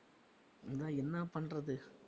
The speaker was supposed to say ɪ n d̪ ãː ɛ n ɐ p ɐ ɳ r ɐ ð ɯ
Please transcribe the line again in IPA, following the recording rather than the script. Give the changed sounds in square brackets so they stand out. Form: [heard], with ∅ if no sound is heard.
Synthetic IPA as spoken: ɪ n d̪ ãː ɛ [nː] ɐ p ɐ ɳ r ɐ ð ɯ